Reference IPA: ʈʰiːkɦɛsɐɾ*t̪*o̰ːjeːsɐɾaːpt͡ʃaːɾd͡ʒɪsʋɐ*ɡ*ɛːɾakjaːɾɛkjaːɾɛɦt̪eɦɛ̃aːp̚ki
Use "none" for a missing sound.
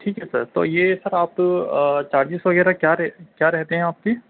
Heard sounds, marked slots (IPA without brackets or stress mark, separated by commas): t̪, ɡ